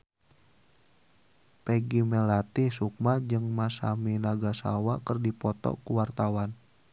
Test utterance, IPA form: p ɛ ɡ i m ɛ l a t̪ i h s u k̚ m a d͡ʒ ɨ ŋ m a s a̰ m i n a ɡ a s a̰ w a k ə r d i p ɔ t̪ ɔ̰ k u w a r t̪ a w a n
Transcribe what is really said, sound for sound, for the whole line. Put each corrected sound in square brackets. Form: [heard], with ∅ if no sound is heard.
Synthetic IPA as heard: p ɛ ɡ i m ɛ l a t̪ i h s u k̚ m a d͡ʒ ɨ ŋ m a s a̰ m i n a ɡ a s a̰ w a k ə r d i p ɔ t̪ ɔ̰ k u w a r t̪ a w a n